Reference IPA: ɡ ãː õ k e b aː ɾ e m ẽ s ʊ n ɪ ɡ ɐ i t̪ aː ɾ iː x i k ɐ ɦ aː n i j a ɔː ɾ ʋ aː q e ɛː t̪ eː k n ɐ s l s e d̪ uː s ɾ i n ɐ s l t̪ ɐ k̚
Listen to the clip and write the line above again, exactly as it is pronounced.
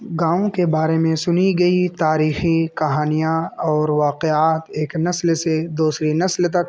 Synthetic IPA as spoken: ɡ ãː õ k e b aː ɾ e m ẽ s ʊ n i ɡ ɐ i t̪ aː ɾ iː x i k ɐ ɦ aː n i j a ɔː ɾ ʋ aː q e aː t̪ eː k n ɐ s l s e d̪ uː s ɾ i n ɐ s l t̪ ɐ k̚